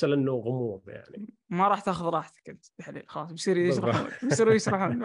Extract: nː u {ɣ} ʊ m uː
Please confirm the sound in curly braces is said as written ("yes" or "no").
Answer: yes